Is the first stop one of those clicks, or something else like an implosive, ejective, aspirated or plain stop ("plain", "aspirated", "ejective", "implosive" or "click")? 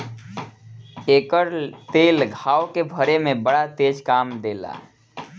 plain